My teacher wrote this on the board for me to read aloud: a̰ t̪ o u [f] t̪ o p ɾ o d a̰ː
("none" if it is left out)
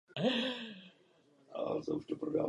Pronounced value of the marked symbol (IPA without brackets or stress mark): ʃ